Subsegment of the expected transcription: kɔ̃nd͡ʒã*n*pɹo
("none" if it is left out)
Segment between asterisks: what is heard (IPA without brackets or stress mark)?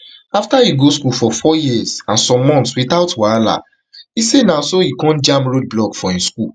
m